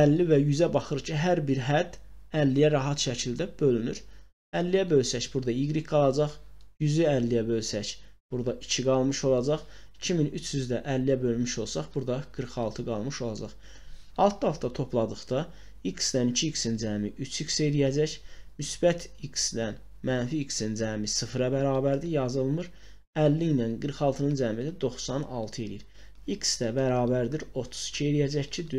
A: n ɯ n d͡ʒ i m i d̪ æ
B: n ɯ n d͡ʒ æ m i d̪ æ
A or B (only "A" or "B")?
B